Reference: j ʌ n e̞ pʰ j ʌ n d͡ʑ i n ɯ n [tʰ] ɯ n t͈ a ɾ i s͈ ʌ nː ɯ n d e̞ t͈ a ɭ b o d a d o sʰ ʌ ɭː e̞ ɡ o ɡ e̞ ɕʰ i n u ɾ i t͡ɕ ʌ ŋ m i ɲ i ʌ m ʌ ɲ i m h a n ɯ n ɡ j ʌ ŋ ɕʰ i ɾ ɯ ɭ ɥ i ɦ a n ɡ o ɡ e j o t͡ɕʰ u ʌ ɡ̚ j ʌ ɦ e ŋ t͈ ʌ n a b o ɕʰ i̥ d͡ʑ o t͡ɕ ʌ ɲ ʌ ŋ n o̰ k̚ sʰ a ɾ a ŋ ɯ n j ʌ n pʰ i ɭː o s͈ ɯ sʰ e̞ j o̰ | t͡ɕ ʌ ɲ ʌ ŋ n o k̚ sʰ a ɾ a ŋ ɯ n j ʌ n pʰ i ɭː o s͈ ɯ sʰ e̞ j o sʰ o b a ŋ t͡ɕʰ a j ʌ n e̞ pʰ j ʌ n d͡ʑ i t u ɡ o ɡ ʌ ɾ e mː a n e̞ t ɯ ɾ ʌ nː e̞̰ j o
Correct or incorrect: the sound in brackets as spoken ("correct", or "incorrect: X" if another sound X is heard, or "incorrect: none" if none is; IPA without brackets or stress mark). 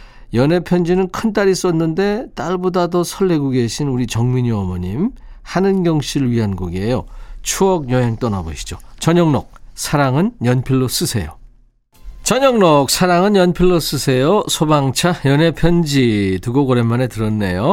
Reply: incorrect: kʰ